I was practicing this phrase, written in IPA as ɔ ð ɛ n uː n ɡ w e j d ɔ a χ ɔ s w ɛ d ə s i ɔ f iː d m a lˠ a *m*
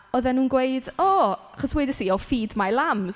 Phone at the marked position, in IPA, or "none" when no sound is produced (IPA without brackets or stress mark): m